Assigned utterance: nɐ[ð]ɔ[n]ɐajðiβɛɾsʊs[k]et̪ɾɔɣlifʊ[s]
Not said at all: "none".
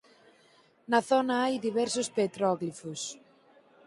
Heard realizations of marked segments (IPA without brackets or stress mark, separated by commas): θ, n, p, s